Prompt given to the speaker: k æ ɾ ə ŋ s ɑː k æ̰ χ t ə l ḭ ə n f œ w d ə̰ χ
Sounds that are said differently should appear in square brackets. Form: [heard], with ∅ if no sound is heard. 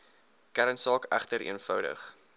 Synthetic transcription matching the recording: k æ ɾ ə [n] s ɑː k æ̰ χ t ə [ɾ] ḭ ə n f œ w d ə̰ χ